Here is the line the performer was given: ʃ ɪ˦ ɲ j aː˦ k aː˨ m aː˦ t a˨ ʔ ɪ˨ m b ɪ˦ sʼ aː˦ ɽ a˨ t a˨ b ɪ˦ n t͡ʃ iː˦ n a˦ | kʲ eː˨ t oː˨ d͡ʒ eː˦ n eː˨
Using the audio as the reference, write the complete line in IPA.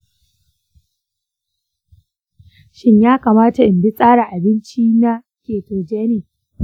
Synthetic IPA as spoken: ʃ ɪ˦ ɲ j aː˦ k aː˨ m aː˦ t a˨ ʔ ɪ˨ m b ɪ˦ sʼ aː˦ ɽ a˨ ʔ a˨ b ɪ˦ n t͡ʃ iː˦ n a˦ | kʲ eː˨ t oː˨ d͡ʒ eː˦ n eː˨